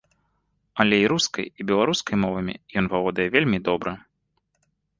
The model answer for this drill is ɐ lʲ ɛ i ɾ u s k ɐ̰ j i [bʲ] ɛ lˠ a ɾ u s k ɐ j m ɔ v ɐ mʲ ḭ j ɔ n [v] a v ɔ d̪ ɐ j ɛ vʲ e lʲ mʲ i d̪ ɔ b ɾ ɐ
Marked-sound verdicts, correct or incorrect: correct, correct

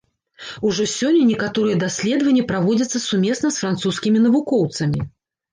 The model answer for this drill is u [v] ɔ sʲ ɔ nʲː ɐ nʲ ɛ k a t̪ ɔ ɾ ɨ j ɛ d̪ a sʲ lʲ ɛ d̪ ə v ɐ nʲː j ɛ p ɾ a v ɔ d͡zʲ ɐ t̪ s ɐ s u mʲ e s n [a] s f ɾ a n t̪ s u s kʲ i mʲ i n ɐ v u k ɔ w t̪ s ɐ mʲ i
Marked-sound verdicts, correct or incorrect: incorrect, incorrect

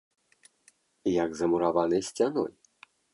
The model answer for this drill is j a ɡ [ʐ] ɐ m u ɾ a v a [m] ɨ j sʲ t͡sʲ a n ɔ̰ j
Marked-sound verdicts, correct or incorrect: incorrect, incorrect

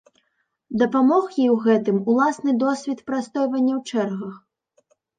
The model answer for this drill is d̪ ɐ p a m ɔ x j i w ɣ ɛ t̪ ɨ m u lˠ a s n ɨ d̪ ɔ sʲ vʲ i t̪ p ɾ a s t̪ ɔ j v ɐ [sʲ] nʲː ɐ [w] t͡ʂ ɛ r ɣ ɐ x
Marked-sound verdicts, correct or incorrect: incorrect, correct

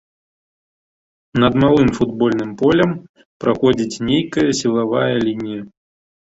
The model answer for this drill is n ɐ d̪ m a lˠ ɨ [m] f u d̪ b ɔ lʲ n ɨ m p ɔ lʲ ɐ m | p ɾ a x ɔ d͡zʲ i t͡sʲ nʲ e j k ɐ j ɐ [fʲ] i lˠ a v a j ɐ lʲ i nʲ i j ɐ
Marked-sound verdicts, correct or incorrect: correct, incorrect

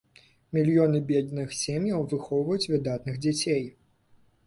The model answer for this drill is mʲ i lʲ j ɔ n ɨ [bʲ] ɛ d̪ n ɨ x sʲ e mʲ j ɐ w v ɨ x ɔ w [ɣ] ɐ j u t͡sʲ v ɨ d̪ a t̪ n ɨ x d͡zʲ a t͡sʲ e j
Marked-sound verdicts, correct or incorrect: correct, incorrect

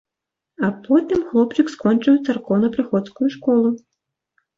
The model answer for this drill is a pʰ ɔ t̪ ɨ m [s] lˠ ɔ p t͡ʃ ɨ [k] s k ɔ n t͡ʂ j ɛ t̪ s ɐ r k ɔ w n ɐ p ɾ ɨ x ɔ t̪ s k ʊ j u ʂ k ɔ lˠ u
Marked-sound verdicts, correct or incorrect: incorrect, correct

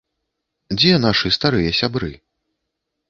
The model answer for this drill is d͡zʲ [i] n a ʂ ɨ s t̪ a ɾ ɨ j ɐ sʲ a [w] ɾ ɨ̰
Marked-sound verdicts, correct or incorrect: incorrect, incorrect

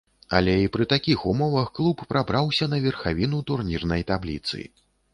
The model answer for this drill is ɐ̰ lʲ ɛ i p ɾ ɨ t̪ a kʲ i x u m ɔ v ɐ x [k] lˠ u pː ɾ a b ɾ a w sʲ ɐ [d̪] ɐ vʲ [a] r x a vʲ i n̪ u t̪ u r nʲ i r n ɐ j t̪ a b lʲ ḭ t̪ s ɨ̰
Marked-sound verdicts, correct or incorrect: correct, incorrect, incorrect

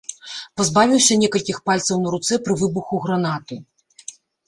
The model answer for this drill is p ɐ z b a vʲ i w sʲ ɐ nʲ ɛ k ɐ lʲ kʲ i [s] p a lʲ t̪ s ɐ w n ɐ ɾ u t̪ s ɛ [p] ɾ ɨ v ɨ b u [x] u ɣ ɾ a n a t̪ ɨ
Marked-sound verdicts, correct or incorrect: incorrect, correct, correct

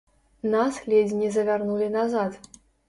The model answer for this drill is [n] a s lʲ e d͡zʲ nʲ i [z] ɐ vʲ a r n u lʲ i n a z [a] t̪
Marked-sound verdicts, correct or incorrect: correct, correct, correct

